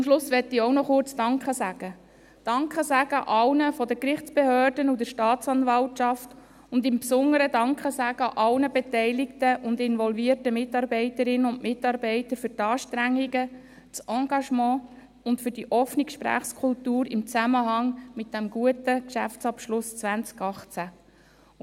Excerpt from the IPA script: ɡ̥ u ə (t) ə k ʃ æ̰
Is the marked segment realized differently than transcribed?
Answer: no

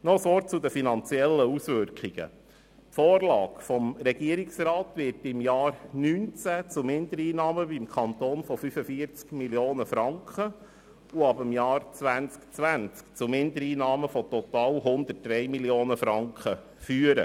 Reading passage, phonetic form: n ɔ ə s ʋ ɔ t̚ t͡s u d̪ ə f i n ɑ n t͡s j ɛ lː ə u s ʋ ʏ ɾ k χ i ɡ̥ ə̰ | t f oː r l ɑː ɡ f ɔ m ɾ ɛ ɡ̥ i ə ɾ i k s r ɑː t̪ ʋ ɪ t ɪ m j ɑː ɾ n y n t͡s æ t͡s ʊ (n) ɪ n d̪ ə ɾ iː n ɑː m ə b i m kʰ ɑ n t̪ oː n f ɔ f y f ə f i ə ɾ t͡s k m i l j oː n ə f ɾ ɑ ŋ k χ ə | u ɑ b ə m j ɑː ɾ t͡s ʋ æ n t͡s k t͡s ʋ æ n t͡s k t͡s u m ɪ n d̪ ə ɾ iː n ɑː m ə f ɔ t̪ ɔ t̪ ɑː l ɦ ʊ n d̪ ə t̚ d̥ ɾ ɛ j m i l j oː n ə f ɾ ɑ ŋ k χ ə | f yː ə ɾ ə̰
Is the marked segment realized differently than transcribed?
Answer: yes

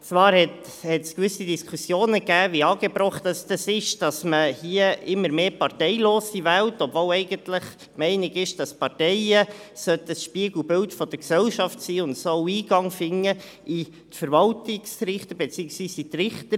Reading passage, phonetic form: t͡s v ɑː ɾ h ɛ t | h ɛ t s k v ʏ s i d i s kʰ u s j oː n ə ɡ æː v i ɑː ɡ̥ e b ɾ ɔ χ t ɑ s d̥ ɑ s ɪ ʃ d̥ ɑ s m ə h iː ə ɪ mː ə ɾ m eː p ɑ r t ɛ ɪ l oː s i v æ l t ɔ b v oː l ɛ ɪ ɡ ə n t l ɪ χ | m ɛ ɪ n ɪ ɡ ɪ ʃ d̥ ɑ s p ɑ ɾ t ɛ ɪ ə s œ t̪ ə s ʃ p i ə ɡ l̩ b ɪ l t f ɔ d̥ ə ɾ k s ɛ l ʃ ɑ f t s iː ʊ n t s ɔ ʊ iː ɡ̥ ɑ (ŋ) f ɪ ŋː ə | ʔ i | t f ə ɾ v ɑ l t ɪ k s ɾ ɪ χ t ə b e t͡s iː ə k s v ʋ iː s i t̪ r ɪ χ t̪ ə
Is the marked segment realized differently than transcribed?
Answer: no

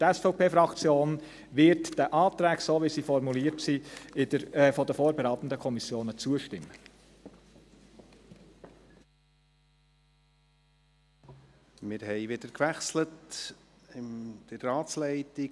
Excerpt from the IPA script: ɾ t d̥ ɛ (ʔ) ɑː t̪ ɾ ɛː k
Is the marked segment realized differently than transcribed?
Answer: no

